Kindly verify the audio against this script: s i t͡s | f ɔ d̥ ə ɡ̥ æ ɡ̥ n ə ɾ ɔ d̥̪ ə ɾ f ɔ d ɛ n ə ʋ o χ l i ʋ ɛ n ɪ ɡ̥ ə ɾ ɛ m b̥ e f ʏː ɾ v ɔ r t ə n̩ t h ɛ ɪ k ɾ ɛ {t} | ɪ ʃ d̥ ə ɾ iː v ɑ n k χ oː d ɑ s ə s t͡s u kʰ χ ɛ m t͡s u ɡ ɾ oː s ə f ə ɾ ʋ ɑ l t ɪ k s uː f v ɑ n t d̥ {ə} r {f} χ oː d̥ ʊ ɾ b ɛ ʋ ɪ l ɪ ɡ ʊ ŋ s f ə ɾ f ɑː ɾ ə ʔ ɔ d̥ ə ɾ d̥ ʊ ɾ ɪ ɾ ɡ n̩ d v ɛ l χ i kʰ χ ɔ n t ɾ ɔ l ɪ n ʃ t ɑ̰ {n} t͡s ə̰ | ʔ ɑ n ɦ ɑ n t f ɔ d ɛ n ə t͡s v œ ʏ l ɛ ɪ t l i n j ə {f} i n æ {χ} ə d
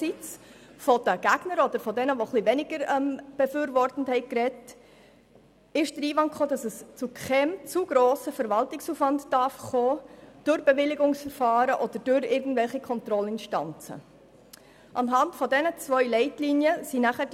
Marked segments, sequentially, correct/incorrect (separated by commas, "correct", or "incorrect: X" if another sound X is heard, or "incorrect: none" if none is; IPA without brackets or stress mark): correct, incorrect: ɑ, correct, correct, incorrect: s, correct